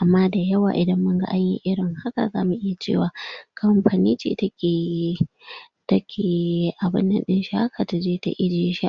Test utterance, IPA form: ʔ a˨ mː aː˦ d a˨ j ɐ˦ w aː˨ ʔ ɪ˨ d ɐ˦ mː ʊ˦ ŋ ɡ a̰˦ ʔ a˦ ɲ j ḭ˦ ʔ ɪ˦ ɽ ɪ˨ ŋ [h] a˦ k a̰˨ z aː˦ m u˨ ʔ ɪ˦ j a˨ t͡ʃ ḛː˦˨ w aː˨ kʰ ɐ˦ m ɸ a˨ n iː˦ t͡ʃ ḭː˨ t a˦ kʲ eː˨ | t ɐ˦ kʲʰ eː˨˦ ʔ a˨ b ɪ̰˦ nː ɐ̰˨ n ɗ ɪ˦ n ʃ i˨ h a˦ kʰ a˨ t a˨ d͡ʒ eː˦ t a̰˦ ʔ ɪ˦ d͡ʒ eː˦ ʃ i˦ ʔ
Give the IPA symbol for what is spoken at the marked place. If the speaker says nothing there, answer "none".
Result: h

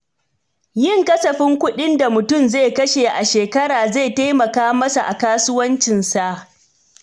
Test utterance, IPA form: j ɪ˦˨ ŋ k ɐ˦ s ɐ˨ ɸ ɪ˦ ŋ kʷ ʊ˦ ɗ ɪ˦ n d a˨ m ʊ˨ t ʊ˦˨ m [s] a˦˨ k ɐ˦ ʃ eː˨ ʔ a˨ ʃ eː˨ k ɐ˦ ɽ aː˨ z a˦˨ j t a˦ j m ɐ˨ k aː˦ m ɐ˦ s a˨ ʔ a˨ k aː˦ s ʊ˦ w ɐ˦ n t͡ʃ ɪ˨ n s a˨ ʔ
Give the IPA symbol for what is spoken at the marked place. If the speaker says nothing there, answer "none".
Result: z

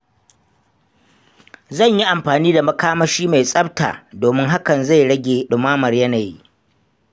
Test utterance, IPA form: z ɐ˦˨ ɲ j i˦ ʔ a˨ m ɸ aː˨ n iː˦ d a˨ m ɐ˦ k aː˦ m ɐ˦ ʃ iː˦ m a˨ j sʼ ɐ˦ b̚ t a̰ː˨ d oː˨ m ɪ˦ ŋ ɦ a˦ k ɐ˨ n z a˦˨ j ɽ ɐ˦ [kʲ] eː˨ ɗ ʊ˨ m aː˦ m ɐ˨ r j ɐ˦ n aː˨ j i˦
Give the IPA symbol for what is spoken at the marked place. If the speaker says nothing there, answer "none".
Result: ɡʲ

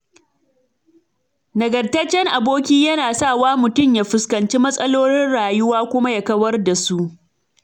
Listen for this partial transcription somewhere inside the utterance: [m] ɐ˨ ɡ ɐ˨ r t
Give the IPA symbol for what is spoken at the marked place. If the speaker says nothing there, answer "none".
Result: n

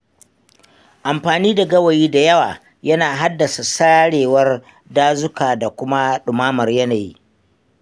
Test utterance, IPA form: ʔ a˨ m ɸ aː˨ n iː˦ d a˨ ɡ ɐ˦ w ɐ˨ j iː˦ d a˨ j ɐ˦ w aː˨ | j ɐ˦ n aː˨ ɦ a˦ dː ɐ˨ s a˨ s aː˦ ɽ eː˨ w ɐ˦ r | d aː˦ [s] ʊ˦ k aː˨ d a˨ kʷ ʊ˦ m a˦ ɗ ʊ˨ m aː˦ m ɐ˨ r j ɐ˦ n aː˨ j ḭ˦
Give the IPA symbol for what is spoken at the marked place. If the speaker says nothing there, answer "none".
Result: z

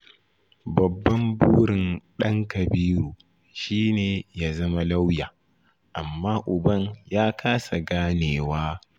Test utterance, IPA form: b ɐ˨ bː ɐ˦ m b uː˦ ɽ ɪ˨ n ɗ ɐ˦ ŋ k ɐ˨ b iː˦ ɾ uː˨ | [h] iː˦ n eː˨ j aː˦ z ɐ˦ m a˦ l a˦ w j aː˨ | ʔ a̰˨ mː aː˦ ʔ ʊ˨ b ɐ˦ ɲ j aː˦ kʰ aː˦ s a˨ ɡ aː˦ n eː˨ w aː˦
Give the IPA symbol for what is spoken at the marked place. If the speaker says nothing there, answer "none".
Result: ʃ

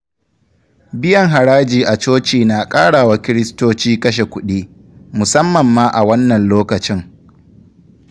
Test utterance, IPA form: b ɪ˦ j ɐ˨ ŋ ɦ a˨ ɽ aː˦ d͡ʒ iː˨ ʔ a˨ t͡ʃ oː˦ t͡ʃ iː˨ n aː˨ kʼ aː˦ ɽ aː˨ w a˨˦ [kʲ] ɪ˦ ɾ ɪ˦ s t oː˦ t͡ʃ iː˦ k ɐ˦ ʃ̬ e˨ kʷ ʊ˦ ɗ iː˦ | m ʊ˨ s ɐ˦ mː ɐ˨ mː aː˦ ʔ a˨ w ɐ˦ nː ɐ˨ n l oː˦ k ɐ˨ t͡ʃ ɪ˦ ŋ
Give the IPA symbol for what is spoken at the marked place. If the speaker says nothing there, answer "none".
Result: kʲ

